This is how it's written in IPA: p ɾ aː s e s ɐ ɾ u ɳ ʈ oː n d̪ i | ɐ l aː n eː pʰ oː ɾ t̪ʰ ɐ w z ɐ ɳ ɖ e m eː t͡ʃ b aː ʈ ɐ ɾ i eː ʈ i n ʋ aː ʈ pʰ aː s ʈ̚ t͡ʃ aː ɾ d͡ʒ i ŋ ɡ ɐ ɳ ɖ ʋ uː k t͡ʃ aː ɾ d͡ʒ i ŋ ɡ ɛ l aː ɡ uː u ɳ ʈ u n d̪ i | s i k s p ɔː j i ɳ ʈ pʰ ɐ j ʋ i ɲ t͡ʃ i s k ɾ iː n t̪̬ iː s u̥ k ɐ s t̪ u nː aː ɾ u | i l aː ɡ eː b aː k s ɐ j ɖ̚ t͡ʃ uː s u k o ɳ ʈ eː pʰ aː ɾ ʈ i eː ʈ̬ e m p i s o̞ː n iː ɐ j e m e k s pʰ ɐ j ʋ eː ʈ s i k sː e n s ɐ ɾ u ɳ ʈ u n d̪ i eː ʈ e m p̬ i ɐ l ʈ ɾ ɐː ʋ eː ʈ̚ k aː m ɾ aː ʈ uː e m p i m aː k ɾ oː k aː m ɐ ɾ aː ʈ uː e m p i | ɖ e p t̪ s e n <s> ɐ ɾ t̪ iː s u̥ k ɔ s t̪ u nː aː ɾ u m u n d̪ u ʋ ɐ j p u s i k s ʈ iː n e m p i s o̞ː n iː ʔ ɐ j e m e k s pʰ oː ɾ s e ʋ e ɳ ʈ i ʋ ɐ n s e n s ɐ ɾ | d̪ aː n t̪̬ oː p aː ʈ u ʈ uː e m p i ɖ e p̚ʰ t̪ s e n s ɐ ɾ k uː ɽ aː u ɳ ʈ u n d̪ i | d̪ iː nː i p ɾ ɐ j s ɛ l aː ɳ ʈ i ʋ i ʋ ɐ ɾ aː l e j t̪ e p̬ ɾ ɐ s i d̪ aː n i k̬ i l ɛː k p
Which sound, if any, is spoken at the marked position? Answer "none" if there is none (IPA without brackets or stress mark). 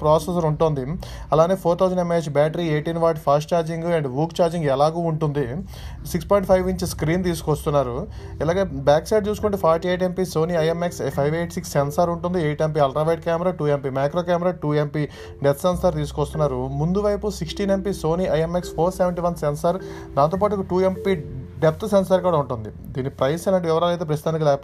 s